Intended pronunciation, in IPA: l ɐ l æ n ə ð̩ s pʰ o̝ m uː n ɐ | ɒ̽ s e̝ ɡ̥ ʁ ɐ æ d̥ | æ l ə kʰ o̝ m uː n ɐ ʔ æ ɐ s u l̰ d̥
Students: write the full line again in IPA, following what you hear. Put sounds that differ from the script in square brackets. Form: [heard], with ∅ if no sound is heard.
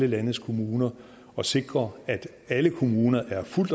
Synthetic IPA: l [ə] l æ n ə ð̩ s [kʰ] o̝ m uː n ɐ | ɒ̽ s e̝ ɡ̥ ʁ ɐ æ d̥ | æ l ə kʰ o̝ m uː n ɐ ʔ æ ɐ [f] u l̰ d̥

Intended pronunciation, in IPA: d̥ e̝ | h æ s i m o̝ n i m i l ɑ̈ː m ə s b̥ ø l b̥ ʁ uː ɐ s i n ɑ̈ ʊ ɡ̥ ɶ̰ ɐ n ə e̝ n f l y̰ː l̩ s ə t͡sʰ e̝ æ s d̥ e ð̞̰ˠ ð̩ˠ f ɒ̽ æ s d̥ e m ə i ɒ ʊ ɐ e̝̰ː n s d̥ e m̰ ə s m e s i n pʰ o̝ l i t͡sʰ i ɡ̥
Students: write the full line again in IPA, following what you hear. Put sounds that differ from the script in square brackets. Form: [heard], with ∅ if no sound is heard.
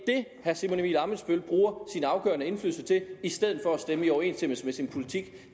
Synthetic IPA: d̥ e̝ | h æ s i m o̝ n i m i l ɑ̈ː m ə s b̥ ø l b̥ ʁ uː ɐ s i n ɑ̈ ʊ ɡ̥ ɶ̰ ɐ n ə e̝ n f l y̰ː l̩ s ə t͡sʰ e̝ [i] s d̥ e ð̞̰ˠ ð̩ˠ f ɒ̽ æ s d̥ e m ə i ɒ ʊ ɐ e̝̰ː n s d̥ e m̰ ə s m e s i n pʰ o̝ l i t͡sʰ i ɡ̥

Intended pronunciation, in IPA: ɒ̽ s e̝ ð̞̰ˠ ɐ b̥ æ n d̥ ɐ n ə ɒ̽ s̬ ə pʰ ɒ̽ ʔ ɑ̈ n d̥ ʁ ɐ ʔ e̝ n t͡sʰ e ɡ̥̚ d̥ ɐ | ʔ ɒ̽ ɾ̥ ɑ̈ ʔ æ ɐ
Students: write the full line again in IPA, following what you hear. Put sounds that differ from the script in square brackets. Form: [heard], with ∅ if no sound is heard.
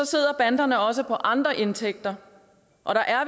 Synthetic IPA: ɒ̽ s e̝ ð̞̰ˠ ɐ b̥ æ n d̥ ɐ n ə ɒ̽ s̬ ə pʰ ɒ̽ ʔ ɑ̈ n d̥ ʁ ɐ ʔ e̝ n t͡sʰ e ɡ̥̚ d̥ ɐ | ʔ ɒ̽ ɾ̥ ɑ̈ ʔ æ ɐ

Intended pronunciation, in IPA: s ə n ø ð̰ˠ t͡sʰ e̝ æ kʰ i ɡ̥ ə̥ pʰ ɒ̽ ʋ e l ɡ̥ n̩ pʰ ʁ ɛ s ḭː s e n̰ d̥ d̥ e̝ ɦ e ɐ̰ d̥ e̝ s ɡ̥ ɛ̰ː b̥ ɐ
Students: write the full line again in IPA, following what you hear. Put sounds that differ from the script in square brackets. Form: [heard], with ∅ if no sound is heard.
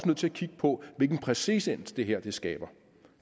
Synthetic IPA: s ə n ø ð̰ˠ t͡sʰ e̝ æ kʰ i ɡ̥ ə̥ pʰ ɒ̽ ʋ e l ɡ̥ n̩ pʰ ʁ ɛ s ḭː s e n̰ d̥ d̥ e̝ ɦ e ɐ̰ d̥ e̝ s ɡ̥ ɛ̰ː b̥ ɐ

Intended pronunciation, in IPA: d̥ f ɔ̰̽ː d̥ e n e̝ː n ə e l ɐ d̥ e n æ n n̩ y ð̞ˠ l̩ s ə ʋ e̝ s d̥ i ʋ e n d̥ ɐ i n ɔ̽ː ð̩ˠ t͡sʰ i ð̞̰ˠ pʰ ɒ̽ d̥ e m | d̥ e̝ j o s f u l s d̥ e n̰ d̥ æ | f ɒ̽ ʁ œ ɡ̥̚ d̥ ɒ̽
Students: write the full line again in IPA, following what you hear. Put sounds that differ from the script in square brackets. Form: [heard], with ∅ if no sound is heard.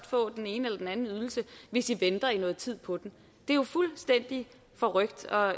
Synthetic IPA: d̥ f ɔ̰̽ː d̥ e n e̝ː n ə e l ɐ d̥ e n æ n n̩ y ð̞ˠ l̩ s ə ʋ e̝ s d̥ i ʋ e n d̥ ɐ i n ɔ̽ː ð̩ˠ t͡sʰ i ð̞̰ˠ pʰ ɒ̽ d̥ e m | d̥ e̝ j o [∅] f u l s d̥ e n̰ d̥ [i] | f ɒ̽ ʁ œ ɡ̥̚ d̥ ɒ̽

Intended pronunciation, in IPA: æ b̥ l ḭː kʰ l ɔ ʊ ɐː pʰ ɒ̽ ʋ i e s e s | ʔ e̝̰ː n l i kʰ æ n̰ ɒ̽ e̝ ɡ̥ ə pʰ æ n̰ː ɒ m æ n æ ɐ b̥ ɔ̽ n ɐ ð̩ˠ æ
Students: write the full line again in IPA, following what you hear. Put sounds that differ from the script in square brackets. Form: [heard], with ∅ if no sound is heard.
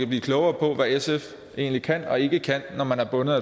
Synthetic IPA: æ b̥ l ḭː kʰ l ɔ ʊ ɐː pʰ ɒ̽ ʋ [æ] e s e [f] | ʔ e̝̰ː n l i kʰ æ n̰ ɒ̽ e̝ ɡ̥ ə [kʰ] æ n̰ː ɒ m æ n æ ɐ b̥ ɔ̽ n [ə] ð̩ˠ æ

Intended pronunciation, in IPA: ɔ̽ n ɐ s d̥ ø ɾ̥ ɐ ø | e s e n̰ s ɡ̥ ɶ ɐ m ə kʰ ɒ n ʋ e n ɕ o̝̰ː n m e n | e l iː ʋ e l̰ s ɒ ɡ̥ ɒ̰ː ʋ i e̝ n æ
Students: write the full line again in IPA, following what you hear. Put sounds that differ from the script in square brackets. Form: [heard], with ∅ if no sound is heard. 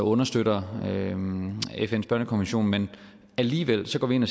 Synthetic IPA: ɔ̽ n ɐ s d̥ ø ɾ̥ ɐ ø | e [f] e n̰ s [b̥] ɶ ɐ [n] ə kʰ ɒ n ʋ e n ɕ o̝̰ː n m e n | [æ] l iː ʋ e l̰ s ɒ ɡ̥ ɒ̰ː ʋ i e̝ n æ

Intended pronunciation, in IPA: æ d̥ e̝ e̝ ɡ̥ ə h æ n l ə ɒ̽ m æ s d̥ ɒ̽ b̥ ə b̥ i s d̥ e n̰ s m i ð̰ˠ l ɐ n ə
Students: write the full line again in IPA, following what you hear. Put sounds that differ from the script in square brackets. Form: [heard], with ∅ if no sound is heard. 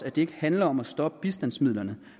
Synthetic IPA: æ d̥ e̝ e̝ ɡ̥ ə h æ n l [ɐ] ɒ̽ m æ s d̥ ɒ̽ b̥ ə b̥ i s d̥ [æ] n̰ s m i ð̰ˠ l ɐ n ə

